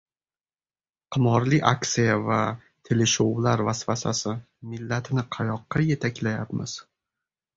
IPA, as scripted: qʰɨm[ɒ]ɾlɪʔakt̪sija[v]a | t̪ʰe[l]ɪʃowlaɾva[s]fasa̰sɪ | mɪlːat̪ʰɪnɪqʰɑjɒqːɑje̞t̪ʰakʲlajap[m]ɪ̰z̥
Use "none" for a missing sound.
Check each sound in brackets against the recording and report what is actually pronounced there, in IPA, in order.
ɒ, v, l, s, m

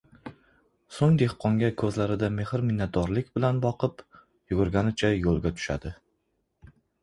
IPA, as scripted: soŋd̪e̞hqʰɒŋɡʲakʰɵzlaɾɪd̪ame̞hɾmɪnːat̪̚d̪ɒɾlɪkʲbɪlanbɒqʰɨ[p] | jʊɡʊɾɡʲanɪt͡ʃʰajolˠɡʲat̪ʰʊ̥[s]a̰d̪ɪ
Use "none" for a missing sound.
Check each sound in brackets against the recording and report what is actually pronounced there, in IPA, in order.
p, ʃ

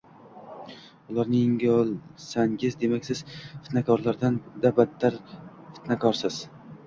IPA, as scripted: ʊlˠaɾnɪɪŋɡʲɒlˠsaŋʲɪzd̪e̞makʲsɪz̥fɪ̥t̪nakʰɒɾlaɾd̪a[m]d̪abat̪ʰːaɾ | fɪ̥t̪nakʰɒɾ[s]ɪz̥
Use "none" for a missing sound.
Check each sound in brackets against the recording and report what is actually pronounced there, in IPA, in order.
n, s

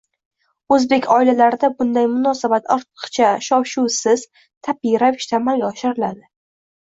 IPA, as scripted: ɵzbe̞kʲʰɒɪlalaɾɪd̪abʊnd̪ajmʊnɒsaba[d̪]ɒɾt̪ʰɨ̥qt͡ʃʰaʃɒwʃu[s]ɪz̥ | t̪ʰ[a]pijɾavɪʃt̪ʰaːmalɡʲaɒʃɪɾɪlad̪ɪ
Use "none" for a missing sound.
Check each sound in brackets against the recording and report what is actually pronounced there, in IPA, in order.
t̪, s, a

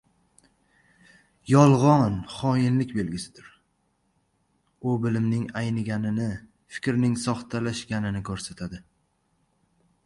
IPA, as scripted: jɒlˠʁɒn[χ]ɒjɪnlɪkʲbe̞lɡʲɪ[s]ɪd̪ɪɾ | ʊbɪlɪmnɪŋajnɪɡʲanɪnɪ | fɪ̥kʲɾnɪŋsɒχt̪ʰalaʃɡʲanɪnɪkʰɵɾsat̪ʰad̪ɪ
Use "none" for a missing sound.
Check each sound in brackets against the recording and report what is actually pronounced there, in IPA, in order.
χ, s

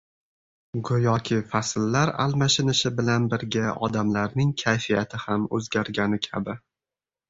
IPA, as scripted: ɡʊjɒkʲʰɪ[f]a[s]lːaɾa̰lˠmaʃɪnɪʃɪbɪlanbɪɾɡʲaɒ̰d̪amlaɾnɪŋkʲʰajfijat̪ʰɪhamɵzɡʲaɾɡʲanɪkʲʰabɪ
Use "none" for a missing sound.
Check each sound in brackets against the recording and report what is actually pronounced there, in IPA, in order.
f, s

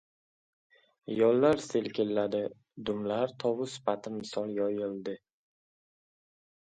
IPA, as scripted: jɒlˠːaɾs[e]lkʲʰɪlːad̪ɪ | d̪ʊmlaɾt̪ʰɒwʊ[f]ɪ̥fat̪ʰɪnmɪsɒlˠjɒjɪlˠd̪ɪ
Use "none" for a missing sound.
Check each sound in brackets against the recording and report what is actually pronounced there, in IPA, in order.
e, s

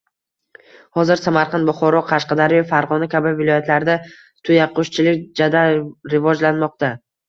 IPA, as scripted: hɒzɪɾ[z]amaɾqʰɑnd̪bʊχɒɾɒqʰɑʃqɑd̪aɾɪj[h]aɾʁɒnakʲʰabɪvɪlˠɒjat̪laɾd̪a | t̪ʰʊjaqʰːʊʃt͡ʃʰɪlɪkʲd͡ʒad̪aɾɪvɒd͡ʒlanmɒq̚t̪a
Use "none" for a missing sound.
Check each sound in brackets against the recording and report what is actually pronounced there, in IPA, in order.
s, f

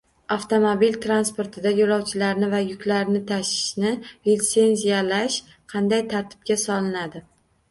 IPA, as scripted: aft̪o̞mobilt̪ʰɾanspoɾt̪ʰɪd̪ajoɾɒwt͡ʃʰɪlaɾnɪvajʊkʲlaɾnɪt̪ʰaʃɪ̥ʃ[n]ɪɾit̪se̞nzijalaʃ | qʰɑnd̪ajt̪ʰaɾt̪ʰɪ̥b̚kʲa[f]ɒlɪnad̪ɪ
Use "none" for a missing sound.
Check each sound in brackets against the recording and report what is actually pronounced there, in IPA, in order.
n, s

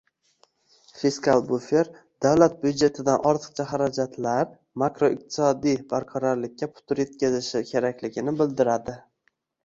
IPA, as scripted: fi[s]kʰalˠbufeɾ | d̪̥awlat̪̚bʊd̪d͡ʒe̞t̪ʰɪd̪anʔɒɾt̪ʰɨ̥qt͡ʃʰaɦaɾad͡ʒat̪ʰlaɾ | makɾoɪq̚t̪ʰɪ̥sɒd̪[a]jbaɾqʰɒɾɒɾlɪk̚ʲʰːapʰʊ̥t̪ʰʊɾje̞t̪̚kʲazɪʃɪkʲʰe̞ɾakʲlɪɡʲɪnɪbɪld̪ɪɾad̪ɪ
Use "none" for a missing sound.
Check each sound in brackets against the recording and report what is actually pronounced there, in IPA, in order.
s, i

